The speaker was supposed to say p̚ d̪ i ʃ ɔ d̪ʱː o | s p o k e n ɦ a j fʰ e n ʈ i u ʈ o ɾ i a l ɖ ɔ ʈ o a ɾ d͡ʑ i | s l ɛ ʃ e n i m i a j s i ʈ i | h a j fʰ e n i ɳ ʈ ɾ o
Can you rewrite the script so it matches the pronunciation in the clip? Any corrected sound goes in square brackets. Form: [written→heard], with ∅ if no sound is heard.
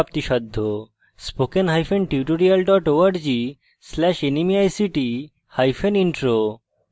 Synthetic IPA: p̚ [d̪→t̪] i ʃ ɔ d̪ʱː o | s p o k e n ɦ a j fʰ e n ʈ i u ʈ o ɾ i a l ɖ ɔ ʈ o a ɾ d͡ʑ i | s l ɛ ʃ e n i m i a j s i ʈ i | h a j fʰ e n i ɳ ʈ ɾ o

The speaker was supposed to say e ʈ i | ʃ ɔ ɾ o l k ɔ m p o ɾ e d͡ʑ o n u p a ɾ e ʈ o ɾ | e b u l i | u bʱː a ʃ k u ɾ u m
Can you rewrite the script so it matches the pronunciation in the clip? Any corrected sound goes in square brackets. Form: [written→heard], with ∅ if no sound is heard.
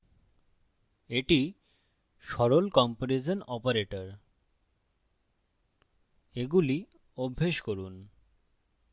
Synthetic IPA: e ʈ i | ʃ ɔ ɾ o l k ɔ m p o ɾ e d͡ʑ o n [u→ɔ] p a ɾ e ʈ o ɾ | e [b→ɡ] u l i | [u→o] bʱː [a→e] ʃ k [u→o] ɾ u [m→n]

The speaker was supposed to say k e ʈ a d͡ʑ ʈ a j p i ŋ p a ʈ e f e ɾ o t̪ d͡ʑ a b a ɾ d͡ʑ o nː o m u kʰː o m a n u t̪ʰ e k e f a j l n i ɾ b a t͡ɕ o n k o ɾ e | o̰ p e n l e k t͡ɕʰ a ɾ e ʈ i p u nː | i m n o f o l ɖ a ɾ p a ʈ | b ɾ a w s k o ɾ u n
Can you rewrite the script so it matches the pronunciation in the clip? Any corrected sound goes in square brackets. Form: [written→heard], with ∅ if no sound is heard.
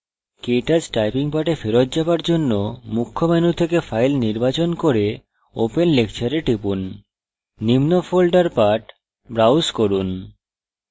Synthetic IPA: k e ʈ a d͡ʑ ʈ a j p i ŋ p a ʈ e f e ɾ o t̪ d͡ʑ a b a ɾ d͡ʑ o nː o m u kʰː o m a n u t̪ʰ e k e f a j l n i ɾ b a t͡ɕ o n k o ɾ e | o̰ p e n l e k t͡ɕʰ a ɾ e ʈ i p u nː | i m n o f o l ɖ a ɾ p a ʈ | b ɾ a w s k o ɾ u n

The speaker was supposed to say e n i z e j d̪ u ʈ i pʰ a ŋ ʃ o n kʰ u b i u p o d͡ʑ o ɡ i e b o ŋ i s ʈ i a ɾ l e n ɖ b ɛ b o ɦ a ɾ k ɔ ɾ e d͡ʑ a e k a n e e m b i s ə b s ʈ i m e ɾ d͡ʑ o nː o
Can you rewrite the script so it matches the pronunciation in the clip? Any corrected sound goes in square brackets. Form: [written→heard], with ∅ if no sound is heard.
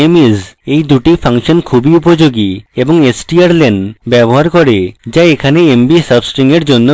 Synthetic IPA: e [n→m] i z e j d̪ u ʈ i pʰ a ŋ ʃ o n kʰ u b i u p o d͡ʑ o ɡ i e b o ŋ [i→e] s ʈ i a ɾ l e n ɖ b ɛ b o ɦ a ɾ k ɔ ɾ e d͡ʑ a e [k→kʰ] a n e e m b i s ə b s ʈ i [m→ŋ] e ɾ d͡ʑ o nː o

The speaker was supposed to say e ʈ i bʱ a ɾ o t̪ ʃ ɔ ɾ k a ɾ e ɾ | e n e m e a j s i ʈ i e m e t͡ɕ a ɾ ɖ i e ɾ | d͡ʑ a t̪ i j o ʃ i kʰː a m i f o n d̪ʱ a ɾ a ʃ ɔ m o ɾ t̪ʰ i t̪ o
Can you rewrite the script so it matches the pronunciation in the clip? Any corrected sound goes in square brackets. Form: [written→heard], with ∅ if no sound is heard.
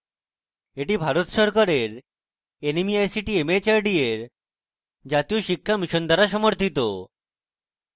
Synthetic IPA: e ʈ i bʱ a ɾ o t̪ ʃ ɔ ɾ k a ɾ e ɾ | e n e m [e→i] a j s i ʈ i e m e t͡ɕ a ɾ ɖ i e ɾ | d͡ʑ a t̪ i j o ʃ i kʰː a m i [f→ʃ] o n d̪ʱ a ɾ a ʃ ɔ m o ɾ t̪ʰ i t̪ o

